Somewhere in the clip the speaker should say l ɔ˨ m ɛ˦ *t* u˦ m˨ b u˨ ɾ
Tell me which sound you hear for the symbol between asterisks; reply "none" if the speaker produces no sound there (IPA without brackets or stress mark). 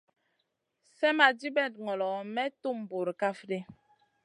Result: t